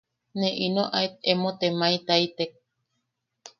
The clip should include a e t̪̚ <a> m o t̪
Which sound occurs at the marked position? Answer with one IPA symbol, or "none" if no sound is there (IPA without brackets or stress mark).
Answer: e